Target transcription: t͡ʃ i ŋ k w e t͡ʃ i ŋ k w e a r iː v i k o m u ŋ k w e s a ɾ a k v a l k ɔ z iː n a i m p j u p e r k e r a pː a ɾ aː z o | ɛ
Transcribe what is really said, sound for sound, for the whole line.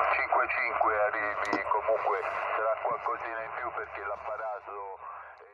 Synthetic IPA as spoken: t͡ʃ i ŋ k w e t͡ʃ i ŋ k w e a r iː v i k o m u ŋ k w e s a ɾ a k w a l k ɔ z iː n a i m p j u p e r k e l a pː a ɾ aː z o | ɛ